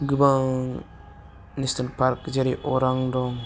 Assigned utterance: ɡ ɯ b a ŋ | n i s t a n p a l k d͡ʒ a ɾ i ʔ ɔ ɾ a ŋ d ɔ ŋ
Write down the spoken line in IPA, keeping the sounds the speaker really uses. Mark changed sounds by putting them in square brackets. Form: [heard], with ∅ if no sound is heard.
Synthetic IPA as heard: ɡ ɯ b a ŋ | n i s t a n p a [ɾ] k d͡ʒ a ɾ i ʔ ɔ ɾ a ŋ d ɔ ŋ